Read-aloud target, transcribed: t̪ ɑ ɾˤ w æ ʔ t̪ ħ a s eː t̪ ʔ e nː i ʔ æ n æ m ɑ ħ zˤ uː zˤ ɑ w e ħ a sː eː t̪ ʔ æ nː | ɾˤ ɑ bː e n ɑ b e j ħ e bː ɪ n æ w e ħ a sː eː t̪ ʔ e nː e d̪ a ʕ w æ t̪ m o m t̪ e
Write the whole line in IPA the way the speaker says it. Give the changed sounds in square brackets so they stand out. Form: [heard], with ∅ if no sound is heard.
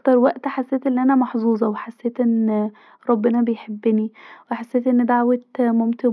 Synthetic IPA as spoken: t̪ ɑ ɾˤ w æ ʔ t̪ ħ a [sː] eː t̪ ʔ e nː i ʔ æ n æ m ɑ ħ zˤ uː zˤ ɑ w e ħ a sː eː t̪ ʔ [e] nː | ɾˤ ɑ bː e n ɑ b e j ħ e bː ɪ n [i] w e ħ a sː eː t̪ ʔ e nː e d̪ a ʕ w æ t̪ m o m t̪ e